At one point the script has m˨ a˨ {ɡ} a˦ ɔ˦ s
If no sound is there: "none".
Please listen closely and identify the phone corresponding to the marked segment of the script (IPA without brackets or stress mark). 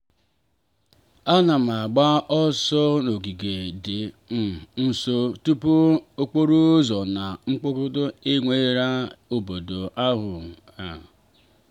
ɡ͡b